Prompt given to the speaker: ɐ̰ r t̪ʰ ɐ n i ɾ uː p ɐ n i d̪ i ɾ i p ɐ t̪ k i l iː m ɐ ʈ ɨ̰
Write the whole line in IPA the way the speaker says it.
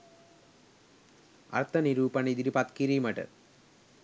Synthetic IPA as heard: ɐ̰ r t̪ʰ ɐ n i ɾ uː p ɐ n i d̪ i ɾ i p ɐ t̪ k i ɾ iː m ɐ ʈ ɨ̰

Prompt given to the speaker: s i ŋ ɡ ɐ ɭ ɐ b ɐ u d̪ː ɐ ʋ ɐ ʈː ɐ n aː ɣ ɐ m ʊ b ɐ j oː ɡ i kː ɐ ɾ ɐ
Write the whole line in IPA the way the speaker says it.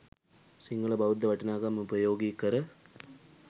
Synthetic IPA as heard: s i ŋ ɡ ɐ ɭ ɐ b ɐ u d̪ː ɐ ʋ ɐ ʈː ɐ n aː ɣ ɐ m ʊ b ɐ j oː ɡ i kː ɐ ɾ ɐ

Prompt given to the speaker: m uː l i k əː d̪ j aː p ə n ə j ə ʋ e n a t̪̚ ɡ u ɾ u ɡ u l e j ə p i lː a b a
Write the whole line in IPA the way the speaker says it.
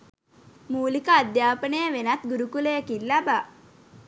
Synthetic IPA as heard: m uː l i k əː d̪ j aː p ə n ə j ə ʋ e n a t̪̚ ɡ u ɾ u k u l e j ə k i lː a b a

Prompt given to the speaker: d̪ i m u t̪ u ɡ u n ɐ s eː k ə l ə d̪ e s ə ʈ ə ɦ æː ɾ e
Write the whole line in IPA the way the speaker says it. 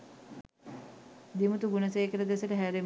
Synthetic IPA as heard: d̪ i m u t̪ u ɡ u n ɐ s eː k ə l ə d̪ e s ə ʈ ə ɦ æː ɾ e

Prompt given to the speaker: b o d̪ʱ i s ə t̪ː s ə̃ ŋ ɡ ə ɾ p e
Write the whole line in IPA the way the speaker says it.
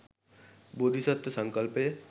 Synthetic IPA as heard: b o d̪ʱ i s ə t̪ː s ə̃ ŋ k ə l p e

